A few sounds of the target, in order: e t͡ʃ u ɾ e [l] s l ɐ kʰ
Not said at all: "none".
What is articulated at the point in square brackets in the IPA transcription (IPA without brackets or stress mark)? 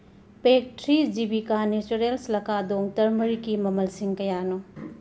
l